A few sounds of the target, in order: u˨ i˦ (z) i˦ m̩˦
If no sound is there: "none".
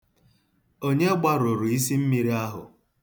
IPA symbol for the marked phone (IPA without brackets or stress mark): s